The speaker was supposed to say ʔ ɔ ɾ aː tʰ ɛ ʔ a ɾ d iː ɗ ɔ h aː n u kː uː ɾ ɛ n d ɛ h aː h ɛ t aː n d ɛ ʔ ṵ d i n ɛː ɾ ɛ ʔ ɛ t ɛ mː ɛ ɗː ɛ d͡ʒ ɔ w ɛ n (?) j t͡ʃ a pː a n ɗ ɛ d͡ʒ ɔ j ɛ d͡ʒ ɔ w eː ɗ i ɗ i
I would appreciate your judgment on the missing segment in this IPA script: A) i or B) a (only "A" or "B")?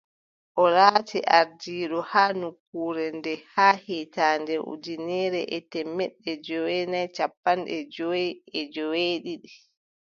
B